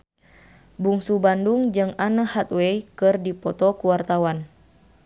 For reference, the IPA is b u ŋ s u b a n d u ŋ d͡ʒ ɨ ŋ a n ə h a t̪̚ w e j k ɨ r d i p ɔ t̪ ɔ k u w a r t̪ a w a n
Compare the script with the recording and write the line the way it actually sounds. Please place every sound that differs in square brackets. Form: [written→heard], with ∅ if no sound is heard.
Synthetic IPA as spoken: b u ŋ s u b a n d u ŋ d͡ʒ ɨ ŋ a n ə h a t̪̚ w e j k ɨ r d i p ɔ t̪ ɔ k u w a r t̪ a w a n